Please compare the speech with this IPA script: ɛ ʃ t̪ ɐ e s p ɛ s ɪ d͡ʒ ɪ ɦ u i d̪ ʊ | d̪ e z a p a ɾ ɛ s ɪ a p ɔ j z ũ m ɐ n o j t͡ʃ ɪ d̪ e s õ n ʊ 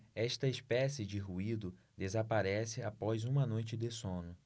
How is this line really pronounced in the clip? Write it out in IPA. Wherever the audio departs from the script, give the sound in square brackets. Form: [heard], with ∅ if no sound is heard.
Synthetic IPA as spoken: ɛ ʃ t̪ ɐ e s p ɛ s ɪ d͡ʒ ɪ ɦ u i d̪ ʊ | d̪ e z a p a ɾ ɛ s ɪ a p ɔ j z ũ m ɐ n o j t͡ʃ ɪ d̪ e s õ n ʊ